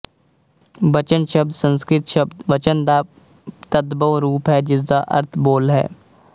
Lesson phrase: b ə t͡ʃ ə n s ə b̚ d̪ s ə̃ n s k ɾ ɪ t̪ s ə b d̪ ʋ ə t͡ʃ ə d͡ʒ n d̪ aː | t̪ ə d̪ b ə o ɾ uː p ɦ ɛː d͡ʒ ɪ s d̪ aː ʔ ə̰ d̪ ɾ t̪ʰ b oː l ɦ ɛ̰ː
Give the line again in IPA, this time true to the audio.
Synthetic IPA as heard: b ə t͡ʃ ə n ʃ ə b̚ d̪ s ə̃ n s k ɾ ɪ t̪ ʃ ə b d̪ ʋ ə t͡ʃ ə n d̪ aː | t̪ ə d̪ b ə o ɾ uː p ɦ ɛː d͡ʒ ɪ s d̪ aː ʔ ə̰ ɾ t̪ʰ b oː l ɦ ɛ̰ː